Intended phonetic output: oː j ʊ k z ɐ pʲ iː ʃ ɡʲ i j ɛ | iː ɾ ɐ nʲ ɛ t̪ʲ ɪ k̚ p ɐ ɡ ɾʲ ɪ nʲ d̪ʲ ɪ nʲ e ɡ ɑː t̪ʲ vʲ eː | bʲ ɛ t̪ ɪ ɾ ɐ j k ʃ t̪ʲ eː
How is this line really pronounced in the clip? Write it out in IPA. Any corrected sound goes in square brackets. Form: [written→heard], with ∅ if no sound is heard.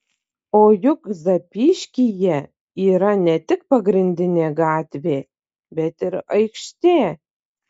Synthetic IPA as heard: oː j ʊ k z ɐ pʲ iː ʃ [ɡʲ→kʲ] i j ɛ | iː ɾ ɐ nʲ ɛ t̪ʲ ɪ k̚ p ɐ ɡ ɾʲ ɪ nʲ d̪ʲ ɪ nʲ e ɡ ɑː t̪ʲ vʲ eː | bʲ ɛ t̪ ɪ ɾ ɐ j k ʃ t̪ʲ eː